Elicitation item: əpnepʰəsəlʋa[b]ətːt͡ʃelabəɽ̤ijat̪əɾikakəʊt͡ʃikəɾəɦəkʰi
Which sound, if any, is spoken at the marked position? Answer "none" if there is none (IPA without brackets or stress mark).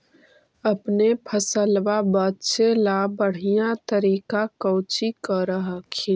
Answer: b